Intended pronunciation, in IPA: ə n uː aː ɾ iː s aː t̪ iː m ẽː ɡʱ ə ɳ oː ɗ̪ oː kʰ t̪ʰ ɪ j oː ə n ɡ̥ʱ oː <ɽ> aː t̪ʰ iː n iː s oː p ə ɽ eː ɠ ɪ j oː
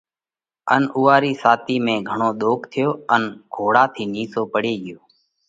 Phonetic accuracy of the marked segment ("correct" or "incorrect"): correct